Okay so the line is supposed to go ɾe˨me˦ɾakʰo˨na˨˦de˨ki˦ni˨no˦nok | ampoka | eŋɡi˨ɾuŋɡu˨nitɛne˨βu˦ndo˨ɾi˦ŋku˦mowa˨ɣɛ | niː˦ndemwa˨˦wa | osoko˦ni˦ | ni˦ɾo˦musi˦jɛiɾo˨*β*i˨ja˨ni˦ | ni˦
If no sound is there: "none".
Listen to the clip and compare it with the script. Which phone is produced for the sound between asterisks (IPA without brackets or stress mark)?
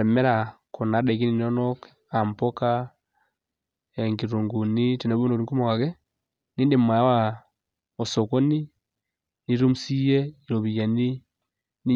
β